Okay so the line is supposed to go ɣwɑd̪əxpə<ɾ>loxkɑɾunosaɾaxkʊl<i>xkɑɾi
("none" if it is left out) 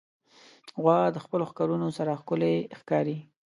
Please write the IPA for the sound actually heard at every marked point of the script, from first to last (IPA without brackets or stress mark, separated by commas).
none, e